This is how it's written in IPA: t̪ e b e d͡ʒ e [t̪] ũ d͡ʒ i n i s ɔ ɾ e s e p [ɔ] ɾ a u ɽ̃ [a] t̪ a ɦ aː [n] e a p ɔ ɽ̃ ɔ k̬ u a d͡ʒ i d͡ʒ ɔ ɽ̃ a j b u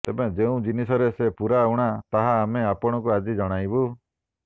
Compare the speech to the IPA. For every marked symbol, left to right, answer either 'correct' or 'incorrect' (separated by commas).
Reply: incorrect, incorrect, correct, incorrect